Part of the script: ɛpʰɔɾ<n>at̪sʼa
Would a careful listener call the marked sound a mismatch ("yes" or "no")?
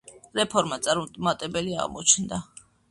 yes